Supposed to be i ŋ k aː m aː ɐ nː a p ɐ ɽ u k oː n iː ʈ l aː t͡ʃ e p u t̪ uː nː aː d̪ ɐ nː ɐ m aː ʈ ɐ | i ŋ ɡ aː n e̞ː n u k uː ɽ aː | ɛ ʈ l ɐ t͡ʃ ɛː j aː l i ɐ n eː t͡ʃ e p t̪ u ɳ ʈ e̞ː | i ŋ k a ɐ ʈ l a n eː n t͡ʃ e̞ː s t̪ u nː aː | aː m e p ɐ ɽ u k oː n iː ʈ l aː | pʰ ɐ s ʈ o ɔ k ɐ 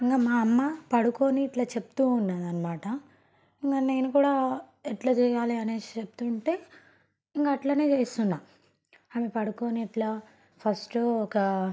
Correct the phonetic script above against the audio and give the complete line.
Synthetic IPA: i ŋ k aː m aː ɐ mː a p ɐ ɽ u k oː n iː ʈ l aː t͡ʃ e p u t̪ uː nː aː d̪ ɐ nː ɐ m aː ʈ ɐ | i ŋ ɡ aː n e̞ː n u k uː ɽ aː | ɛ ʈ l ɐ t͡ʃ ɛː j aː l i ɐ n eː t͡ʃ e p t̪ u ɳ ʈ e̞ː | i ŋ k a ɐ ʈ l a n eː t͡ʃ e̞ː s t̪ u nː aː | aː m e p ɐ ɽ u k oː n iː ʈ l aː | pʰ ɐ s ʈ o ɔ k ɐ